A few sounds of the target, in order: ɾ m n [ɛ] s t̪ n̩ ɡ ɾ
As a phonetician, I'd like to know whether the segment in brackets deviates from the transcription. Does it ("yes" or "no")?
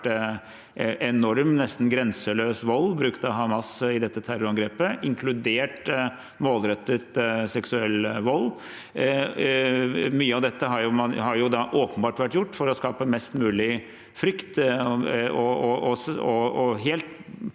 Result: no